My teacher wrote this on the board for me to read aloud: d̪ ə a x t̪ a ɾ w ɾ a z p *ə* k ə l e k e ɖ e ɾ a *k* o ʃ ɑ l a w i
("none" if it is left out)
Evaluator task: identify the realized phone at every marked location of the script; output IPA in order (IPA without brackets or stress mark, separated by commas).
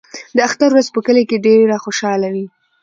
ə, x